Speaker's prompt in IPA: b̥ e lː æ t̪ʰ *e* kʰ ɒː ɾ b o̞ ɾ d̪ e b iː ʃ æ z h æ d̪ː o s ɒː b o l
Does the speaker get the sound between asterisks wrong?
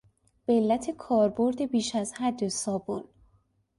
no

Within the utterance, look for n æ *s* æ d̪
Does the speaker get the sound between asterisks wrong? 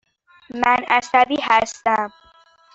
no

